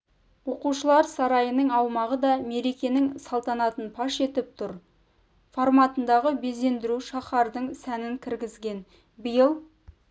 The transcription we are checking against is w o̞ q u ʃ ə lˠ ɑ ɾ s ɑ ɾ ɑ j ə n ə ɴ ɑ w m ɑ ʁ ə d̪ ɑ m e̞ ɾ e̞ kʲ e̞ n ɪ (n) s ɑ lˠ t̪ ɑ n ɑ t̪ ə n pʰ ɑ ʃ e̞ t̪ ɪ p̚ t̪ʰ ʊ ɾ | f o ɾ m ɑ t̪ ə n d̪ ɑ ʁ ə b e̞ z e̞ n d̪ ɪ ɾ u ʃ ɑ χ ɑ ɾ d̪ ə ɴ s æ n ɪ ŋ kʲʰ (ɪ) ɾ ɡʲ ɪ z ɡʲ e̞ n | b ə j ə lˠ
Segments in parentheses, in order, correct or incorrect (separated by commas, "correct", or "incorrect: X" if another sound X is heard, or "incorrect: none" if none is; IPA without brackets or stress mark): incorrect: ŋ, correct